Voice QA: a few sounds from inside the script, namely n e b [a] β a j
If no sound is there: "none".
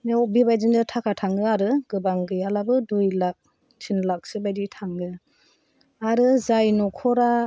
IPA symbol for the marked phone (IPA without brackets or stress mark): i